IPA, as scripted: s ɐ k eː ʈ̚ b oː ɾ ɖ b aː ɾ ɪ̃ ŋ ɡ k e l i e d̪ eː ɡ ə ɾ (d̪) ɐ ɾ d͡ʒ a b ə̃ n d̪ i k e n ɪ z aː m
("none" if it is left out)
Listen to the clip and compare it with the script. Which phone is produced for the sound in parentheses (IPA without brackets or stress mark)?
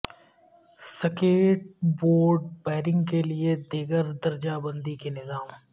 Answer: d̪